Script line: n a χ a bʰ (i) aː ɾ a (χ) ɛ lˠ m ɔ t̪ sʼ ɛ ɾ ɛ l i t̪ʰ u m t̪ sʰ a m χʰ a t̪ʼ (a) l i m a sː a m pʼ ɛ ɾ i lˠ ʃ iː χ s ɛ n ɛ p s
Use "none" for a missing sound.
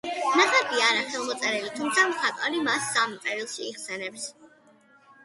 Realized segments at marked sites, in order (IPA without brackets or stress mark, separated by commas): i, χ, a